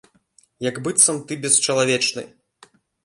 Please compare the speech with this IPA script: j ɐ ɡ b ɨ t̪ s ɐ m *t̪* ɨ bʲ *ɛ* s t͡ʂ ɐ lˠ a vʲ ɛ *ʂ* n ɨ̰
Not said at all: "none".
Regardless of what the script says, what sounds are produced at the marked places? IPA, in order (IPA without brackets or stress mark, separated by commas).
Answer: t̪, ɛ, t͡ʂ